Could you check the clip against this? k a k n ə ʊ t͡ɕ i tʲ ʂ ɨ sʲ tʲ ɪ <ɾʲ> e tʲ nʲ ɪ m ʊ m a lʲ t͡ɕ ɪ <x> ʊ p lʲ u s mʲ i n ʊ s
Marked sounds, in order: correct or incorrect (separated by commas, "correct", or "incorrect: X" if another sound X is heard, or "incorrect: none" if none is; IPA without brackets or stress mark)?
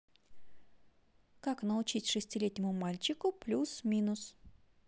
incorrect: lʲ, incorrect: k